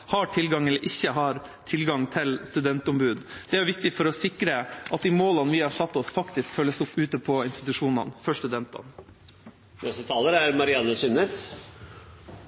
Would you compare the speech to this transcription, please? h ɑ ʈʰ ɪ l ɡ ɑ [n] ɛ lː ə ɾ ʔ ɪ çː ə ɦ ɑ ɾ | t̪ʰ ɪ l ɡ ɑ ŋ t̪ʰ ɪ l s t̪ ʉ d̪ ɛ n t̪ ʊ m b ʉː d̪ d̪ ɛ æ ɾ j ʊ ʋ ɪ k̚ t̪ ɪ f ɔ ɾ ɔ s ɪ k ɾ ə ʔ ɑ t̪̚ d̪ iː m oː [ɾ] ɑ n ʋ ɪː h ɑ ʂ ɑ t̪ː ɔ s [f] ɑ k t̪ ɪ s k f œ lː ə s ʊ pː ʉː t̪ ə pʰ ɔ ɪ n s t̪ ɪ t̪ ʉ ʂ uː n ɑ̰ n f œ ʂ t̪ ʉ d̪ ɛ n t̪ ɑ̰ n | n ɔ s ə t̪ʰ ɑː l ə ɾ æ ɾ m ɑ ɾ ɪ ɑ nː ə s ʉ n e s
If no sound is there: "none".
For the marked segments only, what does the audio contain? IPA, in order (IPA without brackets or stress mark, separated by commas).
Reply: ŋ, l, f